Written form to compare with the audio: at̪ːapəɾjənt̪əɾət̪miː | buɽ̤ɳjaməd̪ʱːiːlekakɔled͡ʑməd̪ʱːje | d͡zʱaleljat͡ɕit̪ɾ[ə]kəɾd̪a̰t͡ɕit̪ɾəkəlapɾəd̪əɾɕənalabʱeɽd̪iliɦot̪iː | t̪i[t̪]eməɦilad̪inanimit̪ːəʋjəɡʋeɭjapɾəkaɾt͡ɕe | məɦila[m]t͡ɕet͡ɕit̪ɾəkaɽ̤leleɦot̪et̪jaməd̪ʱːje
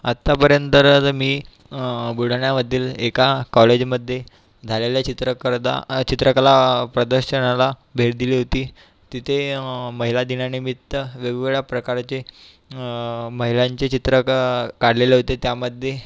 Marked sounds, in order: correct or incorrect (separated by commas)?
correct, incorrect, incorrect